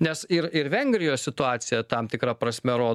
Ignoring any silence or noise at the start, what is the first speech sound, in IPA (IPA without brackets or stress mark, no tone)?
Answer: nʲ